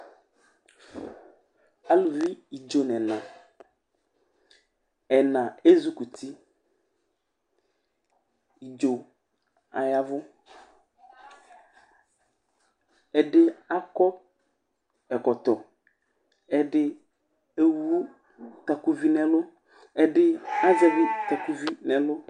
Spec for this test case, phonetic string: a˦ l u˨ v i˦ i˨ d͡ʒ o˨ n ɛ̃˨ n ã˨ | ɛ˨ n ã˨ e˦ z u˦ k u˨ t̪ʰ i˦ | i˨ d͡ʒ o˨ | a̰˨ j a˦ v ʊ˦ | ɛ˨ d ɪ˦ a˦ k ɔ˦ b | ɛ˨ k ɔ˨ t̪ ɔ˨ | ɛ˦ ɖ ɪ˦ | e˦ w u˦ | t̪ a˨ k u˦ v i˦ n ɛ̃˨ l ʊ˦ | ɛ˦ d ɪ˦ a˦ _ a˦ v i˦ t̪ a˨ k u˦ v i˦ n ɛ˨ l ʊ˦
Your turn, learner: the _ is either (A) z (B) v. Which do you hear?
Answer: A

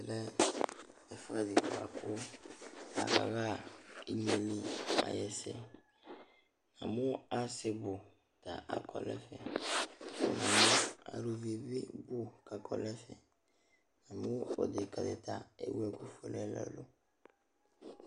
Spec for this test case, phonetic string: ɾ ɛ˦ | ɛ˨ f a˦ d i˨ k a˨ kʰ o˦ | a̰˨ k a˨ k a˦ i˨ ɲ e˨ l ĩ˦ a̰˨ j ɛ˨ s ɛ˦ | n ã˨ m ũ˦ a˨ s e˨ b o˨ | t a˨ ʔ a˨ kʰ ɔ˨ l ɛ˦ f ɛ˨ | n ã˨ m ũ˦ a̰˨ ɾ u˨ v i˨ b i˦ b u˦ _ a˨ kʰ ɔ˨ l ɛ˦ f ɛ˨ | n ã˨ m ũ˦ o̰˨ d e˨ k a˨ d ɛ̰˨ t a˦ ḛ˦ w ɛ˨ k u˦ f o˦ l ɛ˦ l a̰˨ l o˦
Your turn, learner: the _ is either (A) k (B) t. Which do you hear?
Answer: A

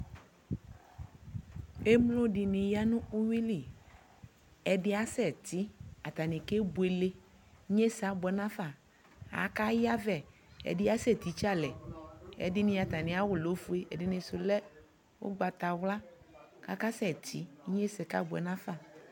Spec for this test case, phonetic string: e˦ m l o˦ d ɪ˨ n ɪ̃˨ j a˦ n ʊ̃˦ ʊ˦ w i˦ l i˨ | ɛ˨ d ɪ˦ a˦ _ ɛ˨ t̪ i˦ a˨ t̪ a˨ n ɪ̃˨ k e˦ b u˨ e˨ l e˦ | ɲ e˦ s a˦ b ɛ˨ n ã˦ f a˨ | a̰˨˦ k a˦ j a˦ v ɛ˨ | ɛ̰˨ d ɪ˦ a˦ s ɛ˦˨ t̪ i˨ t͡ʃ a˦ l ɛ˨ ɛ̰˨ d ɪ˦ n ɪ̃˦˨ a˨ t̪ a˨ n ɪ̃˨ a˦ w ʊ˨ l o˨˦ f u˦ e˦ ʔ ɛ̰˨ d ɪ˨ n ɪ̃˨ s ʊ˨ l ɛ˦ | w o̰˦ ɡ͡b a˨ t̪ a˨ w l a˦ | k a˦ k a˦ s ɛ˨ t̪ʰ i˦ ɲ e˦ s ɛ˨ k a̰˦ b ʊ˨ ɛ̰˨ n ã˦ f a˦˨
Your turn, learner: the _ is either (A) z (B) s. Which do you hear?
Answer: B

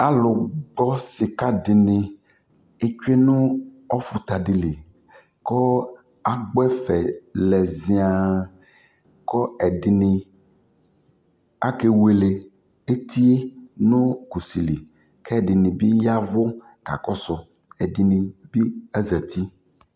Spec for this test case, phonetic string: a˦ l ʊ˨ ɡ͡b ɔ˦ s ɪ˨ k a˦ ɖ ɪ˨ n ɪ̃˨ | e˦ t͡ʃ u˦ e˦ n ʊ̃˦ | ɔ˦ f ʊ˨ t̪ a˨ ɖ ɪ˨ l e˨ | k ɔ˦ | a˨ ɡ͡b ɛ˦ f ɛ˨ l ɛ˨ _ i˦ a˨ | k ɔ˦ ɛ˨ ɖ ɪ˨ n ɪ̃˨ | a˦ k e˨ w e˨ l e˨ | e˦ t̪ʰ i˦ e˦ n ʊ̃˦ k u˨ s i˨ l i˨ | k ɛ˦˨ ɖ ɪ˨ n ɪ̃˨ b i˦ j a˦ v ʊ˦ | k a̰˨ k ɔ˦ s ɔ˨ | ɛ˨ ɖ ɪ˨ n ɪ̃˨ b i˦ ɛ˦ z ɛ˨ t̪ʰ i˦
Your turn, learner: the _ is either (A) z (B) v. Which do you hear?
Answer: A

